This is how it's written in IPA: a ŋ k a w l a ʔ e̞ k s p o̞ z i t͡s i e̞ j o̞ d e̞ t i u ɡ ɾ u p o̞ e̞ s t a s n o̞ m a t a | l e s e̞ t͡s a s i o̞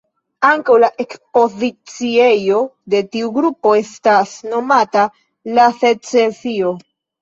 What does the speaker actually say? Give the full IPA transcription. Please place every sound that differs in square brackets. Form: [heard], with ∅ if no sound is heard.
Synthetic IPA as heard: a ŋ k a w l a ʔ e̞ k s p o̞ z i t͡s i e̞ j o̞ d e̞ t i u ɡ ɾ u p o̞ e̞ s t a s n o̞ m a t a | l [a] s e̞ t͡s [e] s i o̞